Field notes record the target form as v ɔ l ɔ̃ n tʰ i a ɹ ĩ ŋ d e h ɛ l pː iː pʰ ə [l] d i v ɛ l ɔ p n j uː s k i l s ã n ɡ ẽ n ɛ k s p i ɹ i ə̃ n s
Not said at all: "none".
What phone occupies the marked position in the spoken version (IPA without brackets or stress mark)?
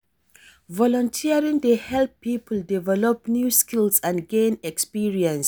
l